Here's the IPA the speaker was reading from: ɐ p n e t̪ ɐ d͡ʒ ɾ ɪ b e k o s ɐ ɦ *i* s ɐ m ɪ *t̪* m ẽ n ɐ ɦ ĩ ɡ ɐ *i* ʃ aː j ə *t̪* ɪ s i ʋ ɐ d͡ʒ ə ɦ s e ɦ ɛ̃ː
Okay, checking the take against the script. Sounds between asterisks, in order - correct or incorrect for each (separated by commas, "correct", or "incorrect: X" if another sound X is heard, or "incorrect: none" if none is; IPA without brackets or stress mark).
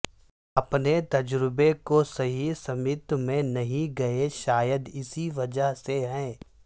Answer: correct, correct, incorrect: e, incorrect: d̪